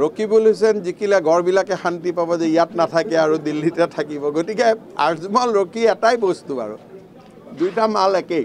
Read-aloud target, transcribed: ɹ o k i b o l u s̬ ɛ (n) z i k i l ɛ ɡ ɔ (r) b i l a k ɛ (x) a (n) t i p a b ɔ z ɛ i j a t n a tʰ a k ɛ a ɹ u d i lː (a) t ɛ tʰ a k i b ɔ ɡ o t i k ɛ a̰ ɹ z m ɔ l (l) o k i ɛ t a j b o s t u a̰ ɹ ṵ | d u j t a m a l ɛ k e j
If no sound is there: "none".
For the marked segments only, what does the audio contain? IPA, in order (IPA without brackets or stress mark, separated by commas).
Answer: n, ɹ, x, n, i, ɹ